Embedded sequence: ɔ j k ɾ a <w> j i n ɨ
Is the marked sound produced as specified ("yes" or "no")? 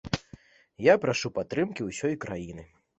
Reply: no